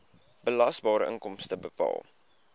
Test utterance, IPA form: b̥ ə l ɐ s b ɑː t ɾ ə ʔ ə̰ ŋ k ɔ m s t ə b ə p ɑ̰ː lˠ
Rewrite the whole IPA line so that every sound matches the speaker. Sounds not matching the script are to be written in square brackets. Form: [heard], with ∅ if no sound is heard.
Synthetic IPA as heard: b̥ ə l ɐ s b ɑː [∅] ɾ ə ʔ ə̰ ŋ k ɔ m s t ə b ə p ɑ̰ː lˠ